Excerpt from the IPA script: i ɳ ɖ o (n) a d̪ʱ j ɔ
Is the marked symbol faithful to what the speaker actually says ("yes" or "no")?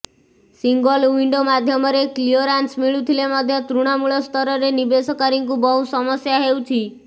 no